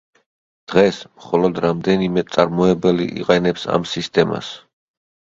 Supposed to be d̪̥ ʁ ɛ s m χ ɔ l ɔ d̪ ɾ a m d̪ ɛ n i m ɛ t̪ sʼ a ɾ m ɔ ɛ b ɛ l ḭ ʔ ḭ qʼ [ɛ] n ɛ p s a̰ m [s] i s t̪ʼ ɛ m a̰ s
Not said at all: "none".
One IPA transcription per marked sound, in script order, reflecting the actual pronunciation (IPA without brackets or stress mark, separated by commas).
ɛ, s